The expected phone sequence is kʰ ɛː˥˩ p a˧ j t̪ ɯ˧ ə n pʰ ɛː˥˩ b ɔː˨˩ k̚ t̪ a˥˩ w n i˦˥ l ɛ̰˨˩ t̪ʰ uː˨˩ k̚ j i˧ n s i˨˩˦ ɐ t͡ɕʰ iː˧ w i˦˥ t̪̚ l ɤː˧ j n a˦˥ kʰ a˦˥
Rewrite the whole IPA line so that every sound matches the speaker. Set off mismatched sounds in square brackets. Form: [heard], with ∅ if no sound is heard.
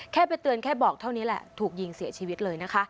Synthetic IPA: kʰ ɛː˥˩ p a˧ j t̪ ɯ˧ ə n [kʰ] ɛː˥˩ b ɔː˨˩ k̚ [t̪ʰ] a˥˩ w n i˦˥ l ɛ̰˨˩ t̪ʰ uː˨˩ k̚ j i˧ [ŋ] s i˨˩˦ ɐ t͡ɕʰ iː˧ w i˦˥ t̪̚ l ɤː˧ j n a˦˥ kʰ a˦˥